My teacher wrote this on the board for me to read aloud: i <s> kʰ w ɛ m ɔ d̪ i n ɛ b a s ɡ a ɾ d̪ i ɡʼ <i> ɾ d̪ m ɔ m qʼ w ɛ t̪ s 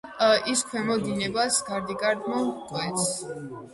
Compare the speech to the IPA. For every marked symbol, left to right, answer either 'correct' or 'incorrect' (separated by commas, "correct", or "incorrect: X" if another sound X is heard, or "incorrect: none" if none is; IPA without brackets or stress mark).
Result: correct, incorrect: a